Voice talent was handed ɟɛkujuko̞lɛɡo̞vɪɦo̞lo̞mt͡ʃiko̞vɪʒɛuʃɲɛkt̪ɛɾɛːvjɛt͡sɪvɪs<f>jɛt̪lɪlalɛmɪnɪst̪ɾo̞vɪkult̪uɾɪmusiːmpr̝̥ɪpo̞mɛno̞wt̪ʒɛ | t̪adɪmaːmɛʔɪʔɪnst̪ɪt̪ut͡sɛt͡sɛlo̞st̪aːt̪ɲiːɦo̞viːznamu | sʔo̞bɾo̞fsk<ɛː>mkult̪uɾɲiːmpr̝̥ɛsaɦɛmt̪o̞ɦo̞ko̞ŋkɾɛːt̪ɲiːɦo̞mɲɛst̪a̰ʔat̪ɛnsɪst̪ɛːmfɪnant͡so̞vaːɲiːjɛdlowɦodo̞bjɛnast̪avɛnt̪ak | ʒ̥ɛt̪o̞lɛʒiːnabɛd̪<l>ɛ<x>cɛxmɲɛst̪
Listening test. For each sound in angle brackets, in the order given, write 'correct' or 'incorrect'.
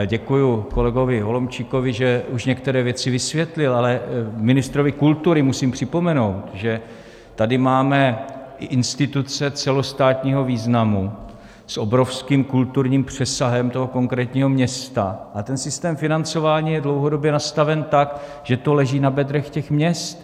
incorrect: v, incorrect: iː, incorrect: ɾ, correct

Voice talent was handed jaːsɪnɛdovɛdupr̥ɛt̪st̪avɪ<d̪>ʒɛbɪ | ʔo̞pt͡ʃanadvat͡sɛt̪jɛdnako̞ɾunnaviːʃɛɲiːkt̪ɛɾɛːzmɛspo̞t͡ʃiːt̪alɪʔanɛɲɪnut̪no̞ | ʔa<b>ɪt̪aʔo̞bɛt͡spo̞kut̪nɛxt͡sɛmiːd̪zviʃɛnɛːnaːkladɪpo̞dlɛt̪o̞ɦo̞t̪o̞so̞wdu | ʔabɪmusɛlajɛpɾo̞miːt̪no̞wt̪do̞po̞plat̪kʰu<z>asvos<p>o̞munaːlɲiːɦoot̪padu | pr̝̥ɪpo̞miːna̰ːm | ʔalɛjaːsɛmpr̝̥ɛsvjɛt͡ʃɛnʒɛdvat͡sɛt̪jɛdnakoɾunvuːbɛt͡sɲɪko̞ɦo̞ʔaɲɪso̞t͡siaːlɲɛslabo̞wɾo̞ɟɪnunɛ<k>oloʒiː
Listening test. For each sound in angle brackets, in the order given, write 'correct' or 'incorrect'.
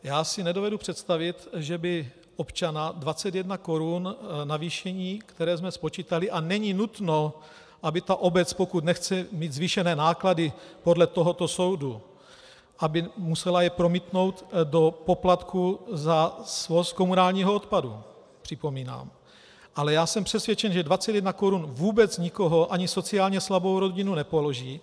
incorrect: t̪, correct, correct, incorrect: k, incorrect: p

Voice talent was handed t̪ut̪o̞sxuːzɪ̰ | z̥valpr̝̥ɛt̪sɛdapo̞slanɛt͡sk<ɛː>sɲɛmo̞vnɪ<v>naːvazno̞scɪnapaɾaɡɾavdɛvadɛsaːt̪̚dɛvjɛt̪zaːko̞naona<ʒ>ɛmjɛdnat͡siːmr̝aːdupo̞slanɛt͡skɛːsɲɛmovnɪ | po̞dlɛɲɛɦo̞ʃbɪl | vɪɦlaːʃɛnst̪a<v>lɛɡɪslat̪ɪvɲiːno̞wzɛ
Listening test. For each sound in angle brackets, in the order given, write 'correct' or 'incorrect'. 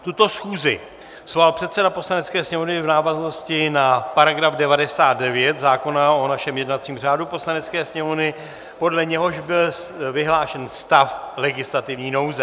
correct, correct, incorrect: ʃ, incorrect: f

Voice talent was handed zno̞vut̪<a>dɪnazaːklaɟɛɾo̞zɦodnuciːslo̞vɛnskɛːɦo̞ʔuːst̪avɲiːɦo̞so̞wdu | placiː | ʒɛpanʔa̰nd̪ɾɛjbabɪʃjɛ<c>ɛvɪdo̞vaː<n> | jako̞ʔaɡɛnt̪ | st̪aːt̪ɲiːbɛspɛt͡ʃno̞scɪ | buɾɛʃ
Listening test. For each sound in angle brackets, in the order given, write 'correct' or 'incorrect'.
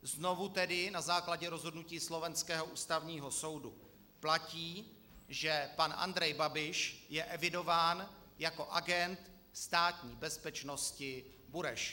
incorrect: ɛ, incorrect: ʔ, correct

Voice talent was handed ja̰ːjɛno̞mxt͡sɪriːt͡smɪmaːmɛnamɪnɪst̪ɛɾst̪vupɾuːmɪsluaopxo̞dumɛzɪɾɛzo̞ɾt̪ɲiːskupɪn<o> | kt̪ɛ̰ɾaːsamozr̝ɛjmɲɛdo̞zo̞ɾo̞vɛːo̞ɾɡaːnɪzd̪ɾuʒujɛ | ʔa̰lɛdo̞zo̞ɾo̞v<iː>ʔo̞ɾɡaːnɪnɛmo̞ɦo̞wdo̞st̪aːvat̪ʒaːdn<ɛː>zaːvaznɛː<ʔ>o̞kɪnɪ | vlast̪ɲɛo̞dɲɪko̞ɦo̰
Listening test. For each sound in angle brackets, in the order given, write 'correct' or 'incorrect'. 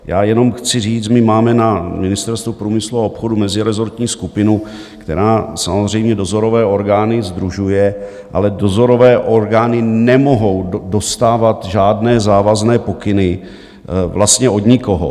incorrect: u, incorrect: ɛː, correct, incorrect: p

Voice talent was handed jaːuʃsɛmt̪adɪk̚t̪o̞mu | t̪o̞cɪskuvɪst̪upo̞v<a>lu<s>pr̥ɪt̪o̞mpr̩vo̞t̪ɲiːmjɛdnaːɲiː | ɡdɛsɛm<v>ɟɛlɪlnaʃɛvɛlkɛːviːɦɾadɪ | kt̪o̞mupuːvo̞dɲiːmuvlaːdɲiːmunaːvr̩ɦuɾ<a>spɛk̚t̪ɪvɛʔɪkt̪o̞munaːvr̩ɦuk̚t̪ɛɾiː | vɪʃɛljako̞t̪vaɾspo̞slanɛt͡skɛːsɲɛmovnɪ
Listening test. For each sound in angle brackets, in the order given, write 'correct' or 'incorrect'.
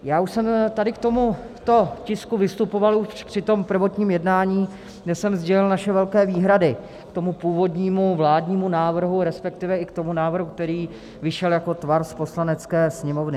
correct, incorrect: ʃ, incorrect: z, incorrect: ɛ

